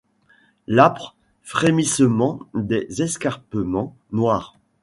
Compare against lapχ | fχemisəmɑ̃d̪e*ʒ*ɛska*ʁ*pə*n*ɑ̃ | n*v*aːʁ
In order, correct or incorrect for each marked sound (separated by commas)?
incorrect, correct, incorrect, incorrect